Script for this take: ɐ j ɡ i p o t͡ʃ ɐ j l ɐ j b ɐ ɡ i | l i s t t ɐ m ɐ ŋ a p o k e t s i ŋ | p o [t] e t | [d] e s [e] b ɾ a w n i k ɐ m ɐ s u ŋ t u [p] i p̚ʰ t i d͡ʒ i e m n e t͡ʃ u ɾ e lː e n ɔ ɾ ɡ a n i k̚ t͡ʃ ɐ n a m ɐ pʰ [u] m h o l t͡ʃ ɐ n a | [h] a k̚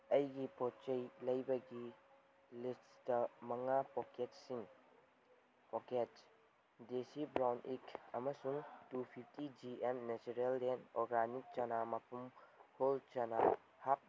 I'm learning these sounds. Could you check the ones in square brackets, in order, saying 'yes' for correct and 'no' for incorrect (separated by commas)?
no, yes, no, no, yes, yes